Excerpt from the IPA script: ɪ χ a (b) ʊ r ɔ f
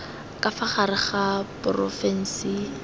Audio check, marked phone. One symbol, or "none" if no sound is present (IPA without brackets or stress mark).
p